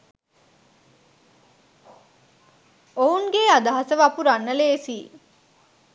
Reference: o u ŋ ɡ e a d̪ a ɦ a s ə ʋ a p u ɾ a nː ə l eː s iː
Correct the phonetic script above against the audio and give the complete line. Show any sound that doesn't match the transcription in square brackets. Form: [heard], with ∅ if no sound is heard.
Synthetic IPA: o u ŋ ɡ e a d̪ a ɦ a s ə ʋ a p u ɾ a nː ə l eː s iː